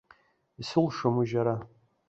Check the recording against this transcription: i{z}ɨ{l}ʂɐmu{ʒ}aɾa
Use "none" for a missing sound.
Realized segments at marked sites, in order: s, l, ʒ

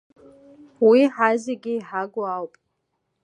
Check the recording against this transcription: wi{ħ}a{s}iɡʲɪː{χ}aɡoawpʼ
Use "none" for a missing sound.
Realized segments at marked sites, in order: ħ, z, ħ

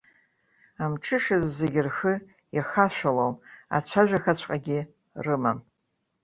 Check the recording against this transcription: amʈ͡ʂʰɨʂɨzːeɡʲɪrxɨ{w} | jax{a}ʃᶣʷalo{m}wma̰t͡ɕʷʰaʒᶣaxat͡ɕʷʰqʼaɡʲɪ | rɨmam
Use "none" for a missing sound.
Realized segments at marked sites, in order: none, a, none

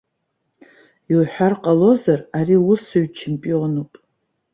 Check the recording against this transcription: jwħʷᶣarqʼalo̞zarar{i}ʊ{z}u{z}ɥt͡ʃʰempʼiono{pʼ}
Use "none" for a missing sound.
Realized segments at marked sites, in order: i, s, none, pʼ

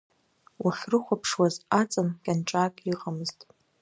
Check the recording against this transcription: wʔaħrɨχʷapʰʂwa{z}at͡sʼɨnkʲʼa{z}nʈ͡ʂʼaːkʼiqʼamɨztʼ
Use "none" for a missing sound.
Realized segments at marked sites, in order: z, none

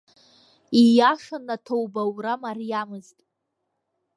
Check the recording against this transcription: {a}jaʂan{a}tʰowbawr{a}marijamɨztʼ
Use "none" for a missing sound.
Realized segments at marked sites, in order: i, a, a

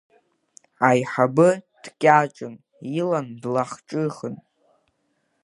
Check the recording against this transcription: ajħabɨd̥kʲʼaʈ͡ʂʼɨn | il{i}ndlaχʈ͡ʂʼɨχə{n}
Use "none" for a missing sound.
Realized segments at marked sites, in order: a, n

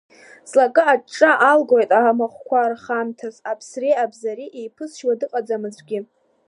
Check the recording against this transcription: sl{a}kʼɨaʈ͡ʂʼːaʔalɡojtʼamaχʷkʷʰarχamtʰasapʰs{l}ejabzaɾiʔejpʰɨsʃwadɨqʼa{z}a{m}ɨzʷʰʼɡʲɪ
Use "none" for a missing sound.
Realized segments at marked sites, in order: a, r, d͡z, m

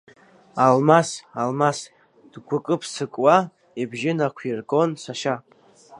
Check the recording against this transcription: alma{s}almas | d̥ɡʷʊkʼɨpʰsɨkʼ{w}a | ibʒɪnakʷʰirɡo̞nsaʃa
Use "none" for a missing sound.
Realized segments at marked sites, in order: s, w

